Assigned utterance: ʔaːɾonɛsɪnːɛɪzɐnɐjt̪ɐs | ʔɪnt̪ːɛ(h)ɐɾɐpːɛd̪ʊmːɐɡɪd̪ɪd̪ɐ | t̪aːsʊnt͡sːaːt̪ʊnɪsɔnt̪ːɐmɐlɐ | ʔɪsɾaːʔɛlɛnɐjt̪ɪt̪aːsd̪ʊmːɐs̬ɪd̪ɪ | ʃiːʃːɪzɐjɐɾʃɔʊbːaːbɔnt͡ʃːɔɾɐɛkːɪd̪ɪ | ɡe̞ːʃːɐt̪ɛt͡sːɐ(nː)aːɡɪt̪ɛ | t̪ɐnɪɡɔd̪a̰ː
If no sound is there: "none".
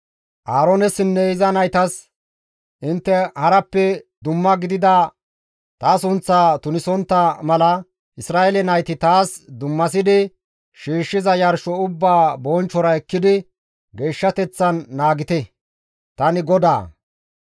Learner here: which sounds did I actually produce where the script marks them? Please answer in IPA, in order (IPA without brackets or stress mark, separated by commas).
h, nː